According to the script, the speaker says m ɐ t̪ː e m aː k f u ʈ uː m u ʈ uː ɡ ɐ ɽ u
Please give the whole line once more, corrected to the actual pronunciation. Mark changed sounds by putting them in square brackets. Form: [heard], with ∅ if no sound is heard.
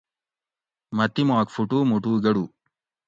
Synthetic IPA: m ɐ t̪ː [i] m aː k f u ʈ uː m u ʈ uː ɡ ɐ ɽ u